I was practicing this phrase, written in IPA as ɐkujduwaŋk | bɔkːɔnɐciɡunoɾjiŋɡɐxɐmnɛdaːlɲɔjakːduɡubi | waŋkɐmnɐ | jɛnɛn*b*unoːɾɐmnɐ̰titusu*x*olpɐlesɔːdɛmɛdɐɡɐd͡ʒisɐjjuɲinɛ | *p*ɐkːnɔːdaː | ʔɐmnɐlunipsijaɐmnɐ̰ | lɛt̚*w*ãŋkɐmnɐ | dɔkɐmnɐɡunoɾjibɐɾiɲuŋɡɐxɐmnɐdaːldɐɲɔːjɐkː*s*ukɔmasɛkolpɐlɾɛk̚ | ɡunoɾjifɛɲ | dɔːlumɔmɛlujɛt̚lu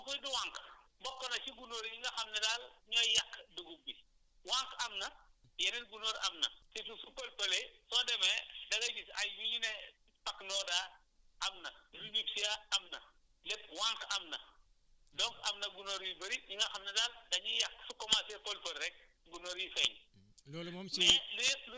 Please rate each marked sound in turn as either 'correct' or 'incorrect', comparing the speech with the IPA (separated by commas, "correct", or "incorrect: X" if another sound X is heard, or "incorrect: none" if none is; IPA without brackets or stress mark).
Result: incorrect: ɡ, incorrect: k, correct, correct, correct